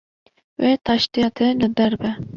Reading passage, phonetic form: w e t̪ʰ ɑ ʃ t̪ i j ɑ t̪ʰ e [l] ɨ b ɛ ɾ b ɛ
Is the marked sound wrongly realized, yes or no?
no